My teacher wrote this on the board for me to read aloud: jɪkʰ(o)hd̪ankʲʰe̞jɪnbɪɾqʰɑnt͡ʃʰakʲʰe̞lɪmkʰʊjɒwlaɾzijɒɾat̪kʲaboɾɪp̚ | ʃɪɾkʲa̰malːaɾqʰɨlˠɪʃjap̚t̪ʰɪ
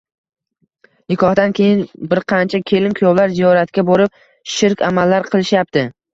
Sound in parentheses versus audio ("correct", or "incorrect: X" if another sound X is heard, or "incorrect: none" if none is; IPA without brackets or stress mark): incorrect: ɒ